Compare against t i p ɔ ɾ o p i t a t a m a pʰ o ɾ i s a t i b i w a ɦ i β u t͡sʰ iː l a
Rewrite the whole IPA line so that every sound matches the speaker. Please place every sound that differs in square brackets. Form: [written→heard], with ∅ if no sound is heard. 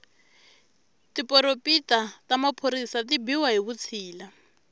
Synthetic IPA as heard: t i p ɔ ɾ o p i t a t a m a pʰ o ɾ i s a t i b i w a ɦ i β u t͡sʰ iː l a